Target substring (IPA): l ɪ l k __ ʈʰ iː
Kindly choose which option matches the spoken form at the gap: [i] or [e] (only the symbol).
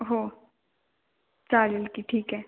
i